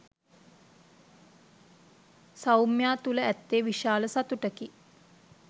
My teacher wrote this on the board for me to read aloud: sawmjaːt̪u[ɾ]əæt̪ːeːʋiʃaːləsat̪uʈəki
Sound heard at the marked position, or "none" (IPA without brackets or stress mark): l